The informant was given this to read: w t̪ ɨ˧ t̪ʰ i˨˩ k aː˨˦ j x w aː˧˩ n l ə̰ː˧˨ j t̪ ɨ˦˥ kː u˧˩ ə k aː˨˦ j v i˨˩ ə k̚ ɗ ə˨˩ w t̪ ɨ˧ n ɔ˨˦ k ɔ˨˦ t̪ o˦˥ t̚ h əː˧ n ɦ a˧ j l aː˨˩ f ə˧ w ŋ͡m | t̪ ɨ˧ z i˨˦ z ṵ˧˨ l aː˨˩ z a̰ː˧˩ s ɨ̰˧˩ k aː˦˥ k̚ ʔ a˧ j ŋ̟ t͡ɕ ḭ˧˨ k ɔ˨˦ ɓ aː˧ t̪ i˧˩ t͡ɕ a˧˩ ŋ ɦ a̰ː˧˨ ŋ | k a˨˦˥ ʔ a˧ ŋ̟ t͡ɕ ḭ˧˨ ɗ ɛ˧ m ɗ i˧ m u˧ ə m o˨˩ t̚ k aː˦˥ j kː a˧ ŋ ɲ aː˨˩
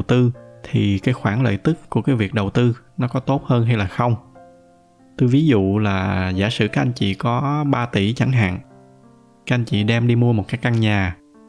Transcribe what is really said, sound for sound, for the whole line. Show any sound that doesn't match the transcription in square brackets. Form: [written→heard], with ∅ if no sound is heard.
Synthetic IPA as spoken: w t̪ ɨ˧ t̪ʰ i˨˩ k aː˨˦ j x w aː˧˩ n l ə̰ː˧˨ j t̪ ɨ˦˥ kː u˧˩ ə k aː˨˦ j v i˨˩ ə k̚ ɗ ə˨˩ w t̪ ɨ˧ n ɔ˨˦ k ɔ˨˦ t̪ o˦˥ t̚ h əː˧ n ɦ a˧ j l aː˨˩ [f→x] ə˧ w ŋ͡m | t̪ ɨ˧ [z→v] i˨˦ z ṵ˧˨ l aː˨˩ z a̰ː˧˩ s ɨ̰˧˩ k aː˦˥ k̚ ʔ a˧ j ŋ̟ t͡ɕ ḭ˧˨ k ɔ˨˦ ɓ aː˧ t̪ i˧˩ t͡ɕ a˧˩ ŋ ɦ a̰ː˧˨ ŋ | k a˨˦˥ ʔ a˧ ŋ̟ t͡ɕ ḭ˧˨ ɗ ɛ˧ m ɗ i˧ m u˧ ə m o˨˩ t̚ k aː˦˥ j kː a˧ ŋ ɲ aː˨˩